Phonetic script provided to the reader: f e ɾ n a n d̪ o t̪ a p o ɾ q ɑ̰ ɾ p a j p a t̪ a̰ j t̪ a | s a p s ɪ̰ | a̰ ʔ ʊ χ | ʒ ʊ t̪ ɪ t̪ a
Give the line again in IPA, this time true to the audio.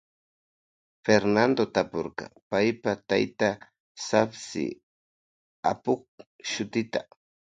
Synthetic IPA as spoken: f e ɾ n a n d̪ o t̪ a p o ɾ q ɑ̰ p a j p a t̪ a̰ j t̪ a | s a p s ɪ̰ | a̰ p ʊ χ | ʃ ʊ t̪ ɪ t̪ a